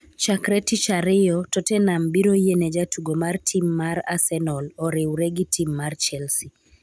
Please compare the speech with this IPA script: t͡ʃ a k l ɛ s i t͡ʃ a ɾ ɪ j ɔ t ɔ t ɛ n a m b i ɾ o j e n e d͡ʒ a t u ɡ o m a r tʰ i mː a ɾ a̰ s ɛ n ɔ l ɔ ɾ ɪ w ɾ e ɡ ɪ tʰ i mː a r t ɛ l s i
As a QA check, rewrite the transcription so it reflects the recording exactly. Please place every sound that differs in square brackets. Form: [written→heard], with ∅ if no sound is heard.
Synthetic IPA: t͡ʃ a k [l→ɾ] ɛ [s→t] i t͡ʃ a ɾ ɪ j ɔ t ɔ t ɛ n a m b i ɾ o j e n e d͡ʒ a t u ɡ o m a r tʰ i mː a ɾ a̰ s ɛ n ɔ l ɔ ɾ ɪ w ɾ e ɡ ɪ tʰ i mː a r [t→t͡ʃ] ɛ l s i